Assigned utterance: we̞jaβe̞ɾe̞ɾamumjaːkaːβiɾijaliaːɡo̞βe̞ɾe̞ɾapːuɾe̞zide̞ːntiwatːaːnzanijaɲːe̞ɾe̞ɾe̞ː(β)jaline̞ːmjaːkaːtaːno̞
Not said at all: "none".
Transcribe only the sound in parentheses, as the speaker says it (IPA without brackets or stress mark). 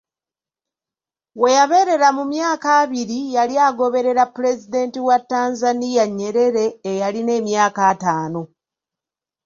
none